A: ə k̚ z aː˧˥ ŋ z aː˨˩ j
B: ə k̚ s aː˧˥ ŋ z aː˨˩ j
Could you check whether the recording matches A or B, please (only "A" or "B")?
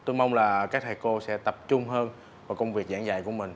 A